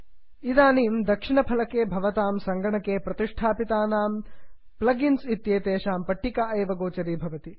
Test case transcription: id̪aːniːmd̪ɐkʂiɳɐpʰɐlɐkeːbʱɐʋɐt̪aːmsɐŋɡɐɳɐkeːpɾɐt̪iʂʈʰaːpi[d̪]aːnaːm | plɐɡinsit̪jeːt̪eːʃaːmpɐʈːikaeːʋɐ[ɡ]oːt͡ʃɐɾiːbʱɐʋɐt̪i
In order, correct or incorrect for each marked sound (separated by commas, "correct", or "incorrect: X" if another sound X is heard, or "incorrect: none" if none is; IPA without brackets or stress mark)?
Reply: incorrect: t̪, correct